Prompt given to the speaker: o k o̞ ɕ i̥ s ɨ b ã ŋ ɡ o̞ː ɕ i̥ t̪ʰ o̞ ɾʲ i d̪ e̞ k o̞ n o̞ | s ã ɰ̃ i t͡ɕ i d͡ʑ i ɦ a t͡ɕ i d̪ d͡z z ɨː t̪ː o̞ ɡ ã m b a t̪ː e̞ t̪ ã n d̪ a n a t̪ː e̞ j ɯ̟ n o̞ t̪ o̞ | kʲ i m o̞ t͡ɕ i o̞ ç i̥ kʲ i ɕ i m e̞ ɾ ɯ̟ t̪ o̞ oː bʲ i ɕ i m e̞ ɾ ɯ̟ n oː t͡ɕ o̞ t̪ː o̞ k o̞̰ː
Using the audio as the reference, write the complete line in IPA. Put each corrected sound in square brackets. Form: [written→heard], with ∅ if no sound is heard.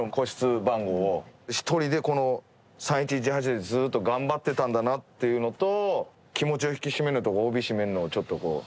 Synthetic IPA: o k o̞ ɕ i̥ [s→t͡s] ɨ b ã ŋ ɡ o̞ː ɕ i̥ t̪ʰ o̞ ɾʲ i d̪ e̞ k o̞ n o̞ | s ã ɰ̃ i t͡ɕ i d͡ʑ i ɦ a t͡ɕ i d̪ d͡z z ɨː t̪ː o̞ ɡ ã m b a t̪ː e̞ t̪ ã n d̪ a n a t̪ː e̞ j ɯ̟ n o̞ t̪ o̞ | kʲ i m o̞ t͡ɕ i o̞ ç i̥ kʲ i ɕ i m e̞ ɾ ɯ̟ t̪ o̞ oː bʲ i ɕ i m e̞ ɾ ɯ̟ n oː t͡ɕ o̞ t̪ː o̞ k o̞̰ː